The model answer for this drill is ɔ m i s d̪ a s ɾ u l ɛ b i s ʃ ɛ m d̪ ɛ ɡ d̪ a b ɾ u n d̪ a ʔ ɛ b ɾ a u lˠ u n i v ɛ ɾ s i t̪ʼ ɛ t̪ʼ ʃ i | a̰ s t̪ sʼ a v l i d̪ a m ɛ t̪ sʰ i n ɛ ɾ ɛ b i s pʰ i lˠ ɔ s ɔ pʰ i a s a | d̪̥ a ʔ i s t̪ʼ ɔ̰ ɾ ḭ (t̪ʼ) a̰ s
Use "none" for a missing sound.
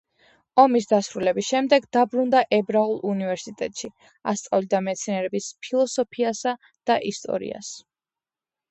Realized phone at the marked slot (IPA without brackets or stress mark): none